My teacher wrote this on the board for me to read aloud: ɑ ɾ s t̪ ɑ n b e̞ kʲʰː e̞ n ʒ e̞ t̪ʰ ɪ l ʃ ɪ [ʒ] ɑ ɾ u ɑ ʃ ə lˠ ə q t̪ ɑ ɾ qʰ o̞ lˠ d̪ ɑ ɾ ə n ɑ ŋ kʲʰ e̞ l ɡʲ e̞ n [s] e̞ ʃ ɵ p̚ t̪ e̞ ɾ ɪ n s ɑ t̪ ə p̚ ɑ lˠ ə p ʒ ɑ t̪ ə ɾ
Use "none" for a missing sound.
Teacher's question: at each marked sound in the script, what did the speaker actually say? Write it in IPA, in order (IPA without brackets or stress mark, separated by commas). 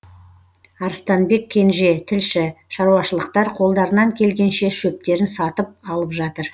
ʃ, ʃ